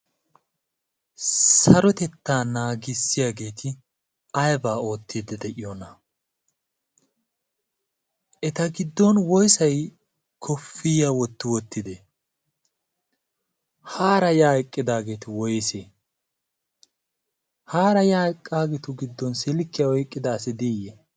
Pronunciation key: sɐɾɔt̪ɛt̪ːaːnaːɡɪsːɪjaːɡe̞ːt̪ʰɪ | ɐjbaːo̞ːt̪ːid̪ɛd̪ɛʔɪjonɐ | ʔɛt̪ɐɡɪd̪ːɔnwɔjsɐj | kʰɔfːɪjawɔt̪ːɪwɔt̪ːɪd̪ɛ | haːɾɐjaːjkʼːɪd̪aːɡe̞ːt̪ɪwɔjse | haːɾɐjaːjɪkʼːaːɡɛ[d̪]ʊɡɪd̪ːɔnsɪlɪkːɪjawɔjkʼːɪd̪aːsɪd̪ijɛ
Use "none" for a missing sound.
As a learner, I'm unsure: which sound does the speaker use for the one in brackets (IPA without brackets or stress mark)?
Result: t̪